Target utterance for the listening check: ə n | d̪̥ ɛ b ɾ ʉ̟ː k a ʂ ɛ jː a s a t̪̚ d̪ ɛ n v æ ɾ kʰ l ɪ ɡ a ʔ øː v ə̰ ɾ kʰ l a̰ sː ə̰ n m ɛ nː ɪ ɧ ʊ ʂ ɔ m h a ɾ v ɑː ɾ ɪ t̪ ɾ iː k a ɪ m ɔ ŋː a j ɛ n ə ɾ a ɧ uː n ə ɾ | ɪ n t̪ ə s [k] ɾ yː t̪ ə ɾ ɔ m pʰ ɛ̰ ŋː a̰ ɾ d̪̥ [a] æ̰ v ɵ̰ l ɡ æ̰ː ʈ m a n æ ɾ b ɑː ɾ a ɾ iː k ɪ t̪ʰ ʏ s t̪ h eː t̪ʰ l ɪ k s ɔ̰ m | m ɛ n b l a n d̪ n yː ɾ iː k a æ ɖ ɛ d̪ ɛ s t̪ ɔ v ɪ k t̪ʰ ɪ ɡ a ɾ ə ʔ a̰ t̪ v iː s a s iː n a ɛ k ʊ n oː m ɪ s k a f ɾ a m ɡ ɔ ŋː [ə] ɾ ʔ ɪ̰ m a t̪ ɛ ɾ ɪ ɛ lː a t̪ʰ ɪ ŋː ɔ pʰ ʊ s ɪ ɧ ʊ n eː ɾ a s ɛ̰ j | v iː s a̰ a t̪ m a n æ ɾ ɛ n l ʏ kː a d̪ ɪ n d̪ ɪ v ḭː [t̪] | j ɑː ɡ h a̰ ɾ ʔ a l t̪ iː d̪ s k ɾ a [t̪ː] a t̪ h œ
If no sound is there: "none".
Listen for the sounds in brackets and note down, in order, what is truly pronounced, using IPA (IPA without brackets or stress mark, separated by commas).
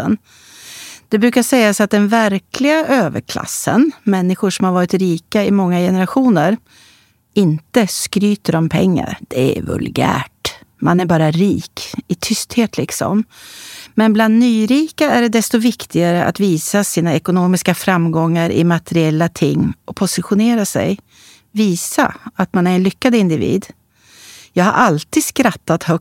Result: k, ɛ, a, d̪, t̪ː